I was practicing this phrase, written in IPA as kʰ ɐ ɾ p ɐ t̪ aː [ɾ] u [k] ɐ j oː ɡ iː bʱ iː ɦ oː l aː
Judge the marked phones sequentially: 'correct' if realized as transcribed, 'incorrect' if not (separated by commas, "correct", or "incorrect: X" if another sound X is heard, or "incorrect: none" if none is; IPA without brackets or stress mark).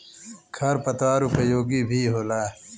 correct, incorrect: p